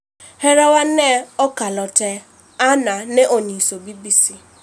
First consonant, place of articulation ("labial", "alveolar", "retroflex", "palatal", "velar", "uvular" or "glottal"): glottal